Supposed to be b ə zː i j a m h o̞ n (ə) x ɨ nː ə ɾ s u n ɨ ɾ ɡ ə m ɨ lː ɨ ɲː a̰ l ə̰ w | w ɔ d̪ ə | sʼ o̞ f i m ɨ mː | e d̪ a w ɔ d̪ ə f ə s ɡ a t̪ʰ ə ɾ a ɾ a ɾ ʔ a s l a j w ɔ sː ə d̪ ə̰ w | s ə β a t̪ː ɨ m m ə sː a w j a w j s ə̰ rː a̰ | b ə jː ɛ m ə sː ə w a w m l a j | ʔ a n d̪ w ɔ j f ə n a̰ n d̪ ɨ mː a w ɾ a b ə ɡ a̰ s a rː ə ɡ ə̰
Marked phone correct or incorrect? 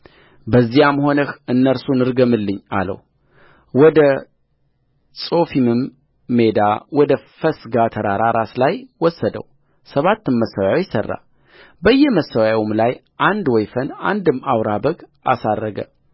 correct